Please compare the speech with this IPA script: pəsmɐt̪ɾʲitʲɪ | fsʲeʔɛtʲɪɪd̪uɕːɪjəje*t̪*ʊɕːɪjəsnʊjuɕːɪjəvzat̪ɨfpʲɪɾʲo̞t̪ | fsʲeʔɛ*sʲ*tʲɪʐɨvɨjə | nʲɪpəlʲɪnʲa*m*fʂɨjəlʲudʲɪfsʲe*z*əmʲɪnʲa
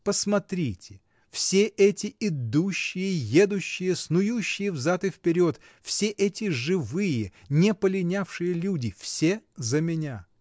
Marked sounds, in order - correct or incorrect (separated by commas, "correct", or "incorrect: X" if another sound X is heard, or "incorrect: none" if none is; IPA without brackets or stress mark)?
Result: incorrect: d̪, incorrect: none, incorrect: none, correct